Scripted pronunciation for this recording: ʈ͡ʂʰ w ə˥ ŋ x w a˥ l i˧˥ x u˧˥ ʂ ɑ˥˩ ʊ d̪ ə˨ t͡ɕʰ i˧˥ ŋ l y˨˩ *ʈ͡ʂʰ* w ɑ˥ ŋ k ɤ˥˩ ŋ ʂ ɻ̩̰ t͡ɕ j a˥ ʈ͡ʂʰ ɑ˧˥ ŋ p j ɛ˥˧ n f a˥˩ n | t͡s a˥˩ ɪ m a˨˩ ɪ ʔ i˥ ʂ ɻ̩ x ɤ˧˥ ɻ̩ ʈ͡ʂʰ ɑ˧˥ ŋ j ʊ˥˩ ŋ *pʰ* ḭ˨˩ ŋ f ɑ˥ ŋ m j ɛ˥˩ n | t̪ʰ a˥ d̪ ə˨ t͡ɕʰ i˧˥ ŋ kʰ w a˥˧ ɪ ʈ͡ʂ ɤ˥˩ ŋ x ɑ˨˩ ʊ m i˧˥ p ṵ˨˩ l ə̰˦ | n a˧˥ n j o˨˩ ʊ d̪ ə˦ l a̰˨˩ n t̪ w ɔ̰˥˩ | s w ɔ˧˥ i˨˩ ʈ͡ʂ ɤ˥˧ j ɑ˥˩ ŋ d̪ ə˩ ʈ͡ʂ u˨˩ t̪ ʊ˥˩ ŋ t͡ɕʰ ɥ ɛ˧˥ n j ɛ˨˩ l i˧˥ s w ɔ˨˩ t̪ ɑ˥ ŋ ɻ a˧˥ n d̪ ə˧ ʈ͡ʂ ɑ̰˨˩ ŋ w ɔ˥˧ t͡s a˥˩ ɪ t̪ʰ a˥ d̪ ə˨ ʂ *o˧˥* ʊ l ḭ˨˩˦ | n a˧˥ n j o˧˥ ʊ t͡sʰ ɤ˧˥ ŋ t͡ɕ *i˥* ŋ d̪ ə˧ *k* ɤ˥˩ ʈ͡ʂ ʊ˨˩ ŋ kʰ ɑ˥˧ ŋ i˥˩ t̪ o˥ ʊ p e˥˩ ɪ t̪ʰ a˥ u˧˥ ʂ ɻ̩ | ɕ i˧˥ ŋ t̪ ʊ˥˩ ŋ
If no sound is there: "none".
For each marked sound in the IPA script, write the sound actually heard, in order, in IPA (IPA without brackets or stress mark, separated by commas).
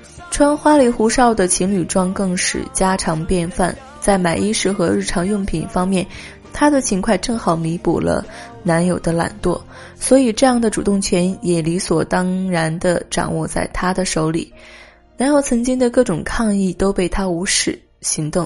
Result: ʈ͡ʂ, pʰ, o˧˥, i˥, k